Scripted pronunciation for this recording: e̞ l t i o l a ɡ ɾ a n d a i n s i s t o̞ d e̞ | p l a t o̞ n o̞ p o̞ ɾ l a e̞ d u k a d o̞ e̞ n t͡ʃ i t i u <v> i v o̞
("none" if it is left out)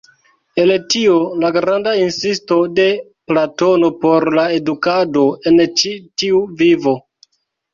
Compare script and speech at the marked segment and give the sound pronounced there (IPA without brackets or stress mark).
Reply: v